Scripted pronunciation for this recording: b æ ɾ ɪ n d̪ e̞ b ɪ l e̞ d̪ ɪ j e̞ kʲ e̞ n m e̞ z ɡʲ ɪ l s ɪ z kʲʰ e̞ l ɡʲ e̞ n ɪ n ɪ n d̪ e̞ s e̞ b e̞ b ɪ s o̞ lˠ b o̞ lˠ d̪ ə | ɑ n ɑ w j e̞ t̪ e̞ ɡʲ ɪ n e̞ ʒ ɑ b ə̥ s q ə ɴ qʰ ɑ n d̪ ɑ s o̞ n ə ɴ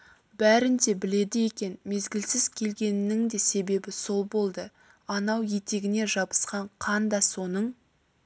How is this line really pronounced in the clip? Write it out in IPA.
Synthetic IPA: b æ ɾ ɪ n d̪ e̞ b ɪ l e̞ d̪ ɪ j e̞ kʲ e̞ n m e̞ z ɡʲ ɪ l s ɪ z kʲʰ e̞ l ɡʲ e̞ n ɪ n ɪ ŋ d̪ e̞ s e̞ b e̞ b ɪ s o̞ lˠ b o̞ lˠ d̪ ə | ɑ n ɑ w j e̞ t̪ e̞ ɡʲ ɪ n e̞ ʒ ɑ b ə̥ s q ɑ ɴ qʰ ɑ n d̪ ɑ s o̞ n ə ɴ